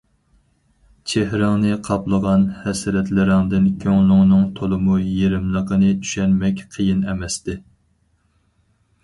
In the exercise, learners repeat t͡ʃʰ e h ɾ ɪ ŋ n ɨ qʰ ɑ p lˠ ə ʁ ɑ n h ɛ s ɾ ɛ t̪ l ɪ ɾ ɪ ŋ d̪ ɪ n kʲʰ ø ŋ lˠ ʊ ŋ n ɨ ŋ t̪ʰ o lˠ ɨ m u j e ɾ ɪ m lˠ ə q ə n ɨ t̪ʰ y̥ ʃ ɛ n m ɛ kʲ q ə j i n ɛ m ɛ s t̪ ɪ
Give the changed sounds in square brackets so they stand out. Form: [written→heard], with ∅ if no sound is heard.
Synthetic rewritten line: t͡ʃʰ e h ɾ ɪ ŋ n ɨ qʰ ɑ p lˠ ə ʁ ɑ n h ɛ s ɾ ɛ t̪ l ɪ ɾ ɪ ŋ d̪ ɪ n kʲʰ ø ŋ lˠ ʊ ŋ n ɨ ŋ t̪ʰ o lˠ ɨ m u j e ɾ ɪ m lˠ ə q ə n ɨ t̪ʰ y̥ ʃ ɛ n m ɛ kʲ [q→qʰ] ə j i n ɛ m ɛ s t̪ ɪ